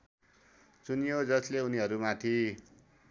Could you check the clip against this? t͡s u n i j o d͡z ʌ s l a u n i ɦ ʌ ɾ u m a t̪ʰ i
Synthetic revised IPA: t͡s u n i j o d͡z ʌ s l e u n i ɦ ʌ ɾ u m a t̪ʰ i